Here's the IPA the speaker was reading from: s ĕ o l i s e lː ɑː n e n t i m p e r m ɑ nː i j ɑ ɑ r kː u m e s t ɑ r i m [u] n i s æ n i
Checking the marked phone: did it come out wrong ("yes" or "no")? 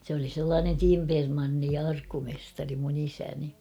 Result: no